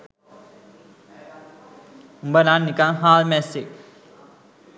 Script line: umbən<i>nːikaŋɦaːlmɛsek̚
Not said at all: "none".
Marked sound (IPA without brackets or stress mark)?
a